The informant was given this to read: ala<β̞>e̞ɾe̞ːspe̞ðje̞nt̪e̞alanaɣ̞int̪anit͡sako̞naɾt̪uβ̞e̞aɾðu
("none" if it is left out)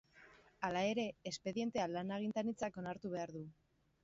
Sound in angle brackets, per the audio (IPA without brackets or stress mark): none